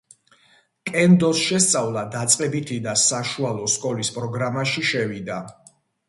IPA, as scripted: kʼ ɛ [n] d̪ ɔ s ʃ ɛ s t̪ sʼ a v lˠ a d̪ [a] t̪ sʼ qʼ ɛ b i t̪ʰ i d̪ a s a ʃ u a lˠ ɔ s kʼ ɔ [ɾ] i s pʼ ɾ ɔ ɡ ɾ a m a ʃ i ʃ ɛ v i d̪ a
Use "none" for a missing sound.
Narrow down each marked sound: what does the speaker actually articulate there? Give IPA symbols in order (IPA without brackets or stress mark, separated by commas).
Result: n, a, l